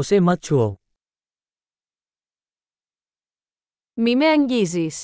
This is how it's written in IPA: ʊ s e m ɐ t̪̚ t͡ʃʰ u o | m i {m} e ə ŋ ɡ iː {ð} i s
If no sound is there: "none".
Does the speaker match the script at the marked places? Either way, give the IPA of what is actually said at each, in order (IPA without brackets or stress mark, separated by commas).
m, z